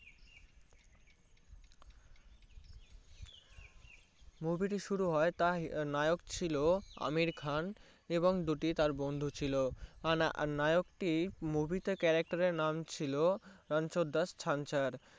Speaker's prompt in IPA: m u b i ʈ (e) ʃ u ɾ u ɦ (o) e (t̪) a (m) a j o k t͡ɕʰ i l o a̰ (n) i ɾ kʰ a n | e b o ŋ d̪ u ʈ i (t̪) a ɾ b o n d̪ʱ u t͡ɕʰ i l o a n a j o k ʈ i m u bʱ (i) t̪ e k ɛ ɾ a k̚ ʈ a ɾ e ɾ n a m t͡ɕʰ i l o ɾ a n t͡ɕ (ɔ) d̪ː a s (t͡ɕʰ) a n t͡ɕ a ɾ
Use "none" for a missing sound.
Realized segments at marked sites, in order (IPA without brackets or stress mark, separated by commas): i, ɔ, t̪, n, m, t̪, i, o, t͡ɕʰ